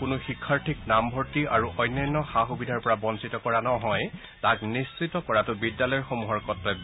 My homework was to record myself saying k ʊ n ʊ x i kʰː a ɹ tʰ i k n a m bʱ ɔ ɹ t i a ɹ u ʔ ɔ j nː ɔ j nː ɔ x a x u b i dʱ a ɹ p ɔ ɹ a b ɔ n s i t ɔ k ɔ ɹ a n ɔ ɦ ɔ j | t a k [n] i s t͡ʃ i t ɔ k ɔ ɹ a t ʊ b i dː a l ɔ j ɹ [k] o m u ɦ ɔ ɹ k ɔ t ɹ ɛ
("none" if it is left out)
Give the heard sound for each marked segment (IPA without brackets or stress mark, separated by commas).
n, x